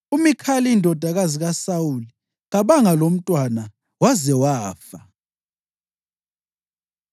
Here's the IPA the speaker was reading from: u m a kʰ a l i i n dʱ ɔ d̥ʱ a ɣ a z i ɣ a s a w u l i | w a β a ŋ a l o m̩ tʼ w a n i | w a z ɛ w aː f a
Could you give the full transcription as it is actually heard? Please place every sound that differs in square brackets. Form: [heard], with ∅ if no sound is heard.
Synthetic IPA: u m [i] kʰ a l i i n dʱ ɔ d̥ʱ a ɣ a z i ɣ a s a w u l i | [ɣ] a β a ŋ a l o m̩ tʼ w a n [a] | w a z ɛ w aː f a